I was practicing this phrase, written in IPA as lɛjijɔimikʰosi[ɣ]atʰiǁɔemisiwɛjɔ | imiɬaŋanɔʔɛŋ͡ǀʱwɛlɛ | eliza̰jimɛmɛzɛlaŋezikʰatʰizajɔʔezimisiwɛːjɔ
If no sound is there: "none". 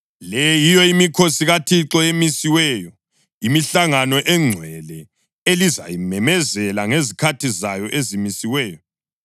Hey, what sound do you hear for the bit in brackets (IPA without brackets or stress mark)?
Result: ɣ